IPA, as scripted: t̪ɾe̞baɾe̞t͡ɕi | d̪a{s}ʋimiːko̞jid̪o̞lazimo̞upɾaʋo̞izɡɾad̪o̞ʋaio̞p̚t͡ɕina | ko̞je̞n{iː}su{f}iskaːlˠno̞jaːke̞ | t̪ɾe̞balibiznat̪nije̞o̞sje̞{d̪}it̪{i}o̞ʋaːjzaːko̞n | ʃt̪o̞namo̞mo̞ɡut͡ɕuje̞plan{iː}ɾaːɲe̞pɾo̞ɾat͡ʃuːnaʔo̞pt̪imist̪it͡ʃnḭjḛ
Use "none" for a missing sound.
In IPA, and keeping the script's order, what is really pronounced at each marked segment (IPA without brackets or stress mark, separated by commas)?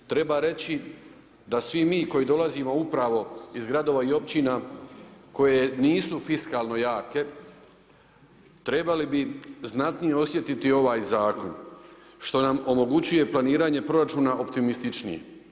s, iː, f, t̪, i, iː